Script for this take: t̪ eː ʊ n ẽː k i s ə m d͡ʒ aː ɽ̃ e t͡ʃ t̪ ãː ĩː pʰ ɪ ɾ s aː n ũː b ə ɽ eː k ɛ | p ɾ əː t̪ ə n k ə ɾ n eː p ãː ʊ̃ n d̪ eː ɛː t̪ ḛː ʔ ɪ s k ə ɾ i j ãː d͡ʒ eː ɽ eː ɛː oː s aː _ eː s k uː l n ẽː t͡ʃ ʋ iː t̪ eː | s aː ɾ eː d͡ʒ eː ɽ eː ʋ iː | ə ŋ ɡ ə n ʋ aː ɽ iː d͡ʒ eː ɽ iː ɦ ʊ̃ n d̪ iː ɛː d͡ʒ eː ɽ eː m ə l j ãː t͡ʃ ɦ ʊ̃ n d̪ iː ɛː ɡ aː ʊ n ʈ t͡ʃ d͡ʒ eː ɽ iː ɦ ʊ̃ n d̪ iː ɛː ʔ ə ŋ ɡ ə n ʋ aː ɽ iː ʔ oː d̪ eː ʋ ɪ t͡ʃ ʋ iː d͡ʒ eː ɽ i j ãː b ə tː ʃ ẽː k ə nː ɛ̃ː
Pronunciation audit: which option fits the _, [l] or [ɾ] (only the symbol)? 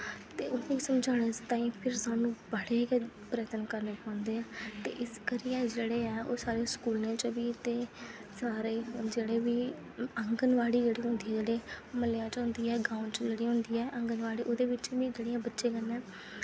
ɾ